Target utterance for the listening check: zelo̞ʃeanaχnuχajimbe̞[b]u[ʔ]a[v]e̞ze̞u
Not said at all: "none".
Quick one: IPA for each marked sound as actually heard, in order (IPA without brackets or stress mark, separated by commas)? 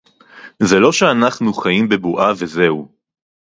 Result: b, ʔ, v